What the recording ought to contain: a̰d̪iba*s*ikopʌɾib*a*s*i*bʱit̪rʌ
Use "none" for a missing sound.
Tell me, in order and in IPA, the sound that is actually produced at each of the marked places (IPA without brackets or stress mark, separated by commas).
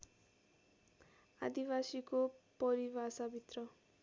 s, a, a